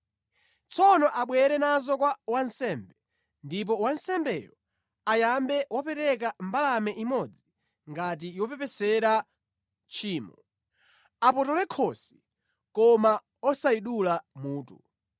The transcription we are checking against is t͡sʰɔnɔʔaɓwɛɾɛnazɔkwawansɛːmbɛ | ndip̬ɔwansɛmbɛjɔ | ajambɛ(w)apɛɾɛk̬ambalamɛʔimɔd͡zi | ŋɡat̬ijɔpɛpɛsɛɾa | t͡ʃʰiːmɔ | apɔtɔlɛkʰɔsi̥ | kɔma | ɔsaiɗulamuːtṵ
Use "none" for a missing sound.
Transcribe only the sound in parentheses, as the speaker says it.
w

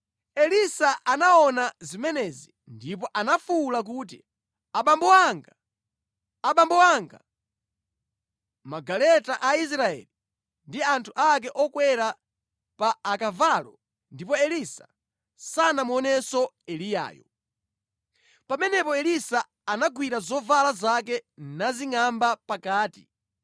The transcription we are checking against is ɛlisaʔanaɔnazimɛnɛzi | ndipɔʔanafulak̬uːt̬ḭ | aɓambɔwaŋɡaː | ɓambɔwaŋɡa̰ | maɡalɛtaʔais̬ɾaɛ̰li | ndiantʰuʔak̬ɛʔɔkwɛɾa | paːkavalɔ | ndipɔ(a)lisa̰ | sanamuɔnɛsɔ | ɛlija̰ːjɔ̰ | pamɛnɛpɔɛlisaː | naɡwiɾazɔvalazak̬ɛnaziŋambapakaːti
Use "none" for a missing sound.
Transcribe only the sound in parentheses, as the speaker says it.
ɛ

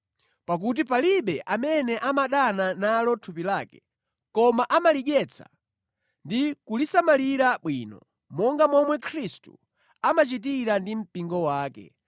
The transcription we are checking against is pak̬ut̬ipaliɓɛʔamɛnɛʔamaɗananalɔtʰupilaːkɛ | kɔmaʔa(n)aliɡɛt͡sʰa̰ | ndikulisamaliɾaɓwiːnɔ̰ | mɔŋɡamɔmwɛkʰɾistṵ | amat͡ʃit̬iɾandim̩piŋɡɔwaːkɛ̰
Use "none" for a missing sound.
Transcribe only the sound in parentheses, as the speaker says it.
m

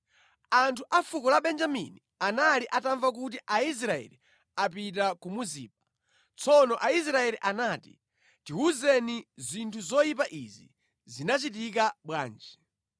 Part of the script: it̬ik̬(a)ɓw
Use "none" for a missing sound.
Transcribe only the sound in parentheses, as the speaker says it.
a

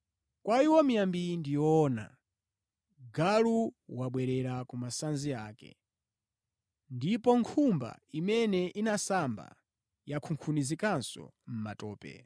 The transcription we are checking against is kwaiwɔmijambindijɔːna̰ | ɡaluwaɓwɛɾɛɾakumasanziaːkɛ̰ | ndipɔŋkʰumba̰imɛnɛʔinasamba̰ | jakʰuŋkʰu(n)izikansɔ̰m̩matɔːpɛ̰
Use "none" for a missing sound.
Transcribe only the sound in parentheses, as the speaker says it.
n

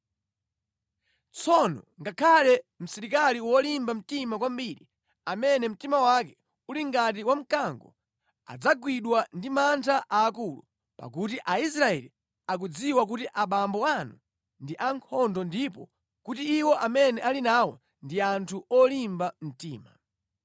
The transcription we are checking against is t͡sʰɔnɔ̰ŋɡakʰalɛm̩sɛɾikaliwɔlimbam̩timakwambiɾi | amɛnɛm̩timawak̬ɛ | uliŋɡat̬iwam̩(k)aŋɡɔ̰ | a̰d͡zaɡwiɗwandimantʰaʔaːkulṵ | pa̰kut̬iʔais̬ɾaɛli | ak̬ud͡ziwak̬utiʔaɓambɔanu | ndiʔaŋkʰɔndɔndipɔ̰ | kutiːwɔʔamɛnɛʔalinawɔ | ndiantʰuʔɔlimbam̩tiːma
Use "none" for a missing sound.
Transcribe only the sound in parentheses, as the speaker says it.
k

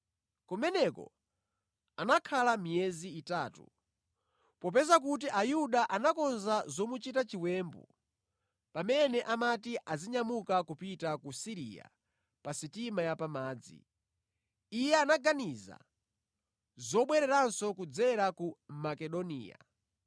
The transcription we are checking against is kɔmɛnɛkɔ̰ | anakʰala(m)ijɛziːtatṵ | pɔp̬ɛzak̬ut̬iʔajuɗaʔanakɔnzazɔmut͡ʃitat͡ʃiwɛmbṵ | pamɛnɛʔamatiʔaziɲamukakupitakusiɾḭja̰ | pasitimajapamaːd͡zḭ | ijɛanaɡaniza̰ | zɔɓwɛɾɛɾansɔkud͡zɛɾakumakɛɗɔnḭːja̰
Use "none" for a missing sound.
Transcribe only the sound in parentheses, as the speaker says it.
m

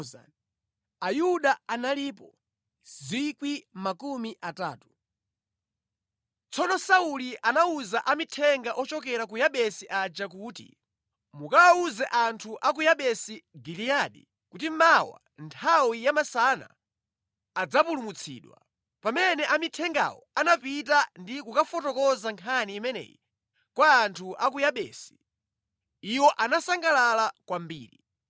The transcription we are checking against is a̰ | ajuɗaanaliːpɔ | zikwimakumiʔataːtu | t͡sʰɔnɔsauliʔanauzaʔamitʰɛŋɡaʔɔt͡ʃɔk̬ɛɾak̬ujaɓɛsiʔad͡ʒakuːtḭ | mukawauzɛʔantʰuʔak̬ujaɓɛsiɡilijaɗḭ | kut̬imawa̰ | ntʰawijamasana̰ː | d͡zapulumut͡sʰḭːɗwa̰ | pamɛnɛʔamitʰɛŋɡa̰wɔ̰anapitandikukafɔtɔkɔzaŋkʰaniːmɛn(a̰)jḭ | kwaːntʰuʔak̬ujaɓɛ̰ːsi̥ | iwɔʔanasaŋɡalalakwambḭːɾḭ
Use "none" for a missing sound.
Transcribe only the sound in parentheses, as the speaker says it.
ɛ̰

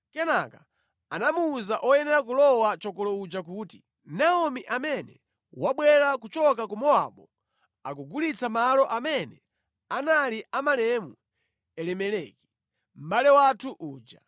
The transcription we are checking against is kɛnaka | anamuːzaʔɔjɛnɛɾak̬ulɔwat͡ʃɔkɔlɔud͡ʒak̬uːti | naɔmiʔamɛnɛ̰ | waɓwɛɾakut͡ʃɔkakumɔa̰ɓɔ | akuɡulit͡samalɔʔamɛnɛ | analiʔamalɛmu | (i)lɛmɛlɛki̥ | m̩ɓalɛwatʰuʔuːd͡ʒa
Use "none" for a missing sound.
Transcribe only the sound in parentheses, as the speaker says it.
ɛ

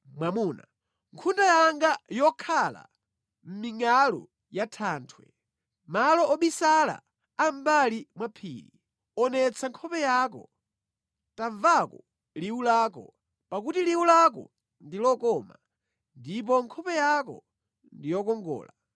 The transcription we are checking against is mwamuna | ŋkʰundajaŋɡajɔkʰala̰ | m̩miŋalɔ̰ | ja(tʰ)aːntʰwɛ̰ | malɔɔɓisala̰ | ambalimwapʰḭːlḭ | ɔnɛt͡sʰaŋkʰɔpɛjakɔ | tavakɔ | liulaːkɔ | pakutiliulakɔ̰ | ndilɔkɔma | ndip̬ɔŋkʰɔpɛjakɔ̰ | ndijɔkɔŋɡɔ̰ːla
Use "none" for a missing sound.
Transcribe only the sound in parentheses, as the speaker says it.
tʰ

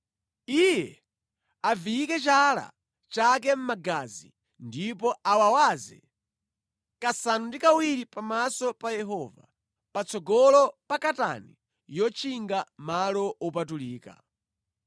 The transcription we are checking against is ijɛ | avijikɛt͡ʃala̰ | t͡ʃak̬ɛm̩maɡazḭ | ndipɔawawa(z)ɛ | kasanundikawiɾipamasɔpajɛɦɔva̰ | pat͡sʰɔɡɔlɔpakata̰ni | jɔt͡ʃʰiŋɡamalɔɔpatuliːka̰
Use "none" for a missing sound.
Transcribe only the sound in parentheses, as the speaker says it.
z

